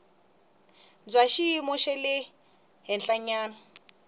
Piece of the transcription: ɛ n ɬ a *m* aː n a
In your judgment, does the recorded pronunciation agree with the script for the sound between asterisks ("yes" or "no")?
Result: no